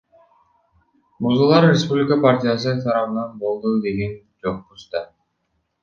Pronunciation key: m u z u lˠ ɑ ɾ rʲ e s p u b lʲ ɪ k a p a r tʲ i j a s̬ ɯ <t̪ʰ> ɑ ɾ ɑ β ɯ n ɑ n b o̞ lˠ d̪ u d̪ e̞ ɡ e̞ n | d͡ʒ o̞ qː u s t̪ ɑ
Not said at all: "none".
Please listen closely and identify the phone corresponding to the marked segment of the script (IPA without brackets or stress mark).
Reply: t̪ʰ